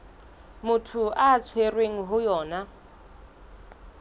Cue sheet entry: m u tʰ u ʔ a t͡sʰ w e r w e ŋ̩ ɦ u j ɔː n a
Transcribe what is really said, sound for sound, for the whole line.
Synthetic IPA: m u tʰ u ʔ a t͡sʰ w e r w e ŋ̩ ɦ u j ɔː n a